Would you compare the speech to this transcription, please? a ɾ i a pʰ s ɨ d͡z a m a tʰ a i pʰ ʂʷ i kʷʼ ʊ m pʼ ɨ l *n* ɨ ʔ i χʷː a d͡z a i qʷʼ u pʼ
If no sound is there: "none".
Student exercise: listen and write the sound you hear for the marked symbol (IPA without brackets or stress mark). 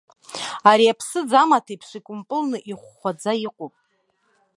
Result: n